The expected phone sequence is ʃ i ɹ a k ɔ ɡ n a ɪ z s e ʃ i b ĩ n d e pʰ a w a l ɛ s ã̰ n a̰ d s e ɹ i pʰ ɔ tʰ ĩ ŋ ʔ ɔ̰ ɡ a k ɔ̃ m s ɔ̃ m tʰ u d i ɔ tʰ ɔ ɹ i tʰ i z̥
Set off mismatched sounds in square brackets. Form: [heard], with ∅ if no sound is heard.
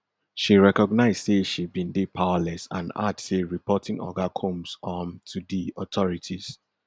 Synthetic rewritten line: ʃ i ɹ [ɛ] k ɔ ɡ n a ɪ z s e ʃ i b ĩ n d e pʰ a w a l ɛ s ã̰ n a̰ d s e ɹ i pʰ ɔ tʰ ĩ ŋ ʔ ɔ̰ ɡ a [kʰ] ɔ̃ m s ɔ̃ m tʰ u d i ɔ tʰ ɔ ɹ i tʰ i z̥